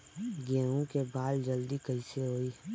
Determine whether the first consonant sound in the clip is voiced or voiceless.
voiced